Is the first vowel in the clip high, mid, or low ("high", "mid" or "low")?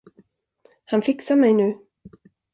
low